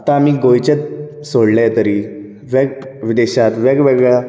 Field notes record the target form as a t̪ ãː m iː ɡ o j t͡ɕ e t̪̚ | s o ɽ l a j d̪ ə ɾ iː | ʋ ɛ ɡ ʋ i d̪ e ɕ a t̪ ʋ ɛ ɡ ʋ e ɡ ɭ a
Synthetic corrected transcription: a t̪ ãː m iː ɡ o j t͡ɕ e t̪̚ | s o ɽ l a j t̪ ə ɾ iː | ʋ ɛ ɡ ʋ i d̪ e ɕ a t̪ ʋ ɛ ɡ ʋ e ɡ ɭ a